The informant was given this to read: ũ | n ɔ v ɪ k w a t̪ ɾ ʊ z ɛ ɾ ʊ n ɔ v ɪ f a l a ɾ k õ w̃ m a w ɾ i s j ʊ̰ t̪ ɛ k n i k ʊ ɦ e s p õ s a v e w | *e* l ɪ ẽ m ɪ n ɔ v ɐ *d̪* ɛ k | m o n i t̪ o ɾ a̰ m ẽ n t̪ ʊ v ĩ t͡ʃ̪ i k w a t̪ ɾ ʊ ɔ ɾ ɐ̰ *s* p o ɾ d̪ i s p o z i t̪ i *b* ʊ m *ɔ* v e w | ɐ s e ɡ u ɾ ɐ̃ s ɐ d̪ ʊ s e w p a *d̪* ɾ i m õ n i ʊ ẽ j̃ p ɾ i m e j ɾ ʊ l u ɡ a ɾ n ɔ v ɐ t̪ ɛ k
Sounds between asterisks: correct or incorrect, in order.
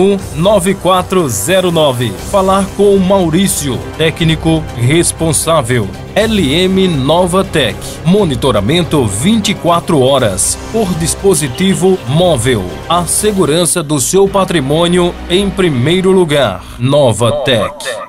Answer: incorrect, incorrect, correct, incorrect, correct, incorrect

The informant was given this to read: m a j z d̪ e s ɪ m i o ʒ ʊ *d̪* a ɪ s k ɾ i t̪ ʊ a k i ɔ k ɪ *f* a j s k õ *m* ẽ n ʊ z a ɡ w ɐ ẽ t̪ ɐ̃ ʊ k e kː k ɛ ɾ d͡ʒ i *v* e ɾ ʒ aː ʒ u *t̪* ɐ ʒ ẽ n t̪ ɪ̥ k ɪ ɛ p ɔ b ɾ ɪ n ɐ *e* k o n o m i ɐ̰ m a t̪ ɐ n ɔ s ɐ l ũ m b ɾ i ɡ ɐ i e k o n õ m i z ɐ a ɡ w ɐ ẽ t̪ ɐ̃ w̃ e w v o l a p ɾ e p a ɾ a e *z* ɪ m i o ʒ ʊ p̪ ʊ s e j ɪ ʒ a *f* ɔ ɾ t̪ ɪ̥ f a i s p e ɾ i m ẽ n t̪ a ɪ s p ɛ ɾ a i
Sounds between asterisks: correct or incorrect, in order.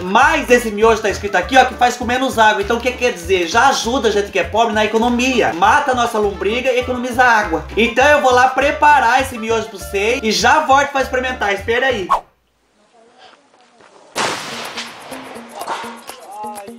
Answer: incorrect, correct, correct, incorrect, incorrect, correct, incorrect, incorrect

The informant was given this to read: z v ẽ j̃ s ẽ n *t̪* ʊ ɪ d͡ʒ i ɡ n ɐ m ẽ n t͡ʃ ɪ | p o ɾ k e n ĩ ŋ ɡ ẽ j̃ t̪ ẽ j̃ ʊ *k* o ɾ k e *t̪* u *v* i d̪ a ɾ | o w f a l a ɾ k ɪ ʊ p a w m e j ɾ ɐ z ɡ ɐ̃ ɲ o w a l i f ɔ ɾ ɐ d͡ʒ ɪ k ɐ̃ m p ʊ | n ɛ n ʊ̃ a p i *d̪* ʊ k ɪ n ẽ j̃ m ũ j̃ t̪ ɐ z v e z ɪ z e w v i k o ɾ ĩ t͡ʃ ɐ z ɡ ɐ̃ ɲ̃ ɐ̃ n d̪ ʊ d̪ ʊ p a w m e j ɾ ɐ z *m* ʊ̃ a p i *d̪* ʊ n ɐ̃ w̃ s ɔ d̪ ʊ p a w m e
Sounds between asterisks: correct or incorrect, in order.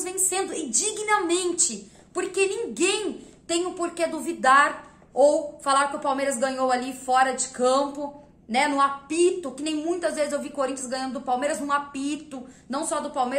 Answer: incorrect, incorrect, incorrect, correct, incorrect, incorrect, incorrect

